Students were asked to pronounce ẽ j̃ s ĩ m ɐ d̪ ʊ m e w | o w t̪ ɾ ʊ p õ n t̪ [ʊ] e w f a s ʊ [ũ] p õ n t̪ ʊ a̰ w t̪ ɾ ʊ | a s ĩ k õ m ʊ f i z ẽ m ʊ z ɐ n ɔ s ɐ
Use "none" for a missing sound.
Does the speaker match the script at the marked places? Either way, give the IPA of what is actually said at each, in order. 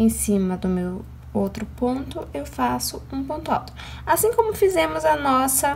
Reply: ʊ, ũ

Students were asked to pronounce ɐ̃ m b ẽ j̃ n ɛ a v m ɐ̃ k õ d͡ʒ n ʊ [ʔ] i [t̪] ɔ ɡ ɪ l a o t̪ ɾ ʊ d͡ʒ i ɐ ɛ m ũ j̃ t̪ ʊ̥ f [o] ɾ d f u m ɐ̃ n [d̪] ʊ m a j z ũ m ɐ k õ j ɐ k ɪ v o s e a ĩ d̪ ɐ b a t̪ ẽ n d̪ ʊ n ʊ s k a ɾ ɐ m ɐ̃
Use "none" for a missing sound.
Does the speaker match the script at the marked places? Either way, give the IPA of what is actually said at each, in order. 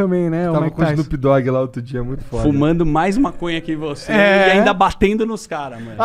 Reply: p, d̪, ɔ, d̪

